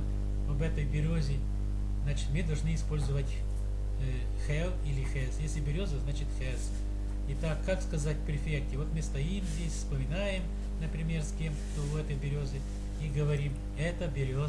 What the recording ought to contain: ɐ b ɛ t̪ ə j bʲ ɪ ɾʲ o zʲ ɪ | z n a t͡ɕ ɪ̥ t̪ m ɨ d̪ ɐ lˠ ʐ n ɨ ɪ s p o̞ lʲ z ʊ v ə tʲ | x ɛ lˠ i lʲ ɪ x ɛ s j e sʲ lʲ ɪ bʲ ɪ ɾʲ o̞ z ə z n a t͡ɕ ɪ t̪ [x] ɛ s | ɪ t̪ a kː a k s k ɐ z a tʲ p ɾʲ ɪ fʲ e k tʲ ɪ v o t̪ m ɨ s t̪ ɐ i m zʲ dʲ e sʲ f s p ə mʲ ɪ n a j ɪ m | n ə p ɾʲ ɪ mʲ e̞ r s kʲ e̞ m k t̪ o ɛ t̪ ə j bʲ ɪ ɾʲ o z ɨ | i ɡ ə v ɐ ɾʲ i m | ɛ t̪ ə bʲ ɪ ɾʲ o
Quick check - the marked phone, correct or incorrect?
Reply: correct